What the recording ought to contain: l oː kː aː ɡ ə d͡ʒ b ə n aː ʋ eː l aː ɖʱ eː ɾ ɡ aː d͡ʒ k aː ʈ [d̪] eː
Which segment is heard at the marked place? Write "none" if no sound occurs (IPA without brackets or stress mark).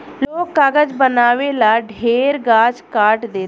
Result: d̪